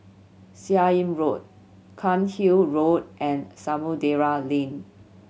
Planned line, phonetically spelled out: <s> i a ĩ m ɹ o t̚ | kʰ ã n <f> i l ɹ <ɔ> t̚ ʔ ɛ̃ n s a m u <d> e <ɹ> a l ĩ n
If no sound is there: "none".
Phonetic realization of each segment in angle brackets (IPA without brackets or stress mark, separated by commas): s, h, o, d, ɹ